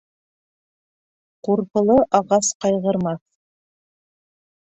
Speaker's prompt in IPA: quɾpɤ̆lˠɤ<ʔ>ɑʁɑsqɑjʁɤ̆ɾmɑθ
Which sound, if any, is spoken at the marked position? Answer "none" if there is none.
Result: ʔ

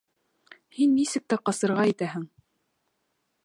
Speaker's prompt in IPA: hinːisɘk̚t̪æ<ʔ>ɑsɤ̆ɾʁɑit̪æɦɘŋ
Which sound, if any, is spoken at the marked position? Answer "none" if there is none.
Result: q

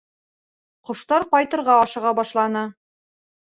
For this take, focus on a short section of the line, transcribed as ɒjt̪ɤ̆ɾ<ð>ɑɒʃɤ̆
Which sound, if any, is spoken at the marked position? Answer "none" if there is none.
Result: ʁ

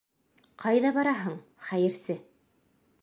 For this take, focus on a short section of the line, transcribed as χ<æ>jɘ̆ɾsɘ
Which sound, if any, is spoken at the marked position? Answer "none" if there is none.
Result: æ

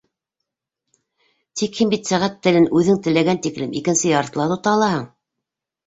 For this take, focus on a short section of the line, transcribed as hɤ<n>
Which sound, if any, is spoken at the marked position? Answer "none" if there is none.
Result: ɴ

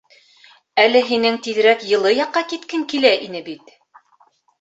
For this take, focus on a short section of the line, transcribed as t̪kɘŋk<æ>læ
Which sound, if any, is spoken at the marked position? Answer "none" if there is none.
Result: i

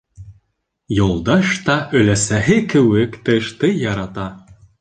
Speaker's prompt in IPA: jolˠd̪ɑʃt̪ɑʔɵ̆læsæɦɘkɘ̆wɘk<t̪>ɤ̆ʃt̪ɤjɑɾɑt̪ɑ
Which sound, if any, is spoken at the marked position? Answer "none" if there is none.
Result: t̪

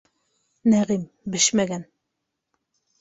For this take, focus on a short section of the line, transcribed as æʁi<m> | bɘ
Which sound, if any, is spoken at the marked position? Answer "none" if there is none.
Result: m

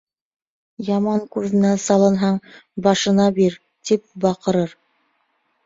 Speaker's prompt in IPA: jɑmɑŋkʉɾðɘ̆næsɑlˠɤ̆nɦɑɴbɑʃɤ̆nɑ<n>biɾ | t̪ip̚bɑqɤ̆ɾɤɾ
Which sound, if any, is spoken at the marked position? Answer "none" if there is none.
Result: none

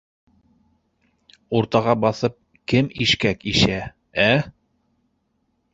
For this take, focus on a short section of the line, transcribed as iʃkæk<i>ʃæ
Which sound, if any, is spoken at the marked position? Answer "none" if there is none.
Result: i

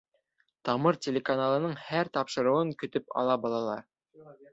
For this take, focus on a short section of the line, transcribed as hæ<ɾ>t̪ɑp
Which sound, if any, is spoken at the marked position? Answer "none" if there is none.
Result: ɾ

